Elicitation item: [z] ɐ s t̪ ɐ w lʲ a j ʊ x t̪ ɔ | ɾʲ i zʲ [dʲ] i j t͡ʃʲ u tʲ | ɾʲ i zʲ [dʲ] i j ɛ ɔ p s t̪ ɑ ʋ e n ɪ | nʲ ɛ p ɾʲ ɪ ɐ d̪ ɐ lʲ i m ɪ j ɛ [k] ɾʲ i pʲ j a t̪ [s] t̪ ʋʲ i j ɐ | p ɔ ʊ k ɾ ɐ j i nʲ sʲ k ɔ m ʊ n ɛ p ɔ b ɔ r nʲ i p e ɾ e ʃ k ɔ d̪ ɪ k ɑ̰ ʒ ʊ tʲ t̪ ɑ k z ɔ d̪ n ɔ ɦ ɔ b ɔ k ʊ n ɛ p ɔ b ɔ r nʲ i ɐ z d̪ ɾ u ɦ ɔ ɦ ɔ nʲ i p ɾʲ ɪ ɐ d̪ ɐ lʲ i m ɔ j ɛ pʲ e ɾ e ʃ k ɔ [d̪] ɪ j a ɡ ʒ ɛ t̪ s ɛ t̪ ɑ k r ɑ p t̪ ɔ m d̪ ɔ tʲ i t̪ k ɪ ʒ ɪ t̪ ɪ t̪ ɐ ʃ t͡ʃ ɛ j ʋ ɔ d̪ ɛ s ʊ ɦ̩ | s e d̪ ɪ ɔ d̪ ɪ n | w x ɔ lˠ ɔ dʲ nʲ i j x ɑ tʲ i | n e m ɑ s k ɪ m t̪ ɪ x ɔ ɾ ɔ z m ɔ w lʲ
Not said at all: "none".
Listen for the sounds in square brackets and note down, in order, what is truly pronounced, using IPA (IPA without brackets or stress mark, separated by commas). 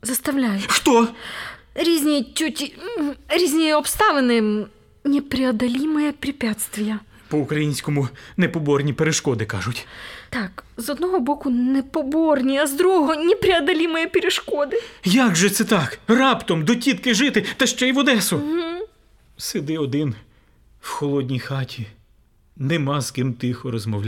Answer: z, nʲ, nʲ, p, s, d̪